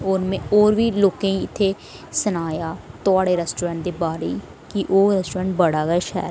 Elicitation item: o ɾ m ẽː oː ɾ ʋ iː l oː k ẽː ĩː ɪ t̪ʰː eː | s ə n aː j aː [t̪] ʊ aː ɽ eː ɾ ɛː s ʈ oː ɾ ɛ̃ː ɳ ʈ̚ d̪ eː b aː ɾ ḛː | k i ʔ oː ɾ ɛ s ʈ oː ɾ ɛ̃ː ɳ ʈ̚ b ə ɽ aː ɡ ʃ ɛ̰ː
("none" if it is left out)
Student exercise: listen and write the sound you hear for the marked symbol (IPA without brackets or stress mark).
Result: t̪